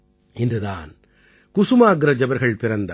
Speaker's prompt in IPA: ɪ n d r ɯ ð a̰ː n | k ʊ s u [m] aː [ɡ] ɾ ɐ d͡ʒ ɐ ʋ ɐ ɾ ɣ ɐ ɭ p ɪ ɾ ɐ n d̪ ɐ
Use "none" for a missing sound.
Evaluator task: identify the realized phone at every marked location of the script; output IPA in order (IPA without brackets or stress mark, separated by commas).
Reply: m, ɡ